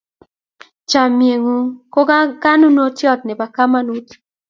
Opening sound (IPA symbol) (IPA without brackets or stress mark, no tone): t͡ʃ